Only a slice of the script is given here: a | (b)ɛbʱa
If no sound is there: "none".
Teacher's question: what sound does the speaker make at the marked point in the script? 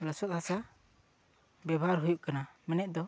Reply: b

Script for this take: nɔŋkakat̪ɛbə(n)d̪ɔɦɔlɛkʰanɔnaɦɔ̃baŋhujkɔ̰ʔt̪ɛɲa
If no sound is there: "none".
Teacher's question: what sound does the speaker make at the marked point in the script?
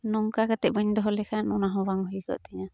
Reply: ɲ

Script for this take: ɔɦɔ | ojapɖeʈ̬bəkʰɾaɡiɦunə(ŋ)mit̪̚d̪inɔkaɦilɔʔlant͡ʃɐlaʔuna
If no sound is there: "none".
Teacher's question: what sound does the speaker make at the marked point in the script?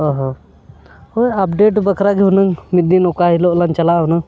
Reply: ŋ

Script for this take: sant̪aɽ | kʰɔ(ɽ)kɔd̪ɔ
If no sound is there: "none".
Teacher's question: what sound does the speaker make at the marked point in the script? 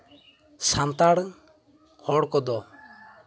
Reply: ɽ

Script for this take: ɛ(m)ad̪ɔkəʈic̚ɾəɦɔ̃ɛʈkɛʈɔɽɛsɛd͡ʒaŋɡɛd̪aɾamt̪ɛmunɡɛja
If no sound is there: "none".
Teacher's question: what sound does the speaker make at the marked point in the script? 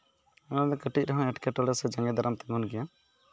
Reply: n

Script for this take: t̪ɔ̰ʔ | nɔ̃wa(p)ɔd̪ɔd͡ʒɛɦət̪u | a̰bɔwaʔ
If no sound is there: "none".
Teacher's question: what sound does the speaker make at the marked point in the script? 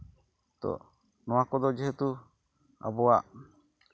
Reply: k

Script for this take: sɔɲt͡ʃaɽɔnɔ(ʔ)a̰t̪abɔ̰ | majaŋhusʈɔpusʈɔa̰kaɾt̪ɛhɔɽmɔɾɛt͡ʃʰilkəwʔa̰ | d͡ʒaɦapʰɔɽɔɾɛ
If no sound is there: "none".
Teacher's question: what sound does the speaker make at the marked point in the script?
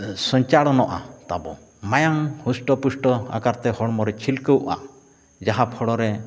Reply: ʔ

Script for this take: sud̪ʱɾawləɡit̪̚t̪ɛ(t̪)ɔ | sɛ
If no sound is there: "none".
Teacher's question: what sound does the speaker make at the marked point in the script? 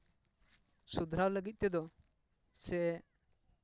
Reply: d̪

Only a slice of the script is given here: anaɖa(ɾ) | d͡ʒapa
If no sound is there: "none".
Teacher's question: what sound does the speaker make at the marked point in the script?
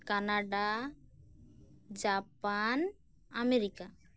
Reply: none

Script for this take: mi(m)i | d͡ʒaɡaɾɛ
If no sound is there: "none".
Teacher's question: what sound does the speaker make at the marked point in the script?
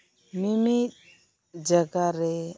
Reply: m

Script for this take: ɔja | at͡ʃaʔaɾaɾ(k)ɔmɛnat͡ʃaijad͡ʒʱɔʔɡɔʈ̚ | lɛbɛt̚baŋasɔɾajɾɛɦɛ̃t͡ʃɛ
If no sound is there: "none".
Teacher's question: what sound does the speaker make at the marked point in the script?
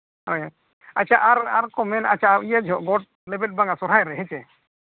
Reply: k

